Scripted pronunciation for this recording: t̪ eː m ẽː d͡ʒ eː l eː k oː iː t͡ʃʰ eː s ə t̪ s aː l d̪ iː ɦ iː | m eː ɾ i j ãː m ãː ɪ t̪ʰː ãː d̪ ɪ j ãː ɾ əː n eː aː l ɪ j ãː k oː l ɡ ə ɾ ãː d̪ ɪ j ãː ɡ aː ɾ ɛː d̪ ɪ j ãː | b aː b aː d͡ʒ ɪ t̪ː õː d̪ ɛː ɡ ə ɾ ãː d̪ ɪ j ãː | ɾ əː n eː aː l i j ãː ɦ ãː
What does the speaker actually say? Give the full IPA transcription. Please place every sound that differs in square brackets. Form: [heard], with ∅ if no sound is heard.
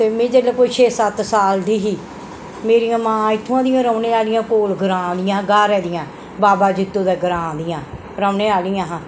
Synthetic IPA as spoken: t̪ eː m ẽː d͡ʒ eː l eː k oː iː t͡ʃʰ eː s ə t̪ s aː l d̪ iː ɦ iː | m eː ɾ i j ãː m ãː ɪ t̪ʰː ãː d̪ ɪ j ãː ɾ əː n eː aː l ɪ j ãː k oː l ɡ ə ɾ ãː d̪ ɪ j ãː ɡ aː ɾ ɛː d̪ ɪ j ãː | b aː b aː d͡ʒ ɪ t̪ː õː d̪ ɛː ɡ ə ɾ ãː d̪ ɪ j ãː | ɾ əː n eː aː l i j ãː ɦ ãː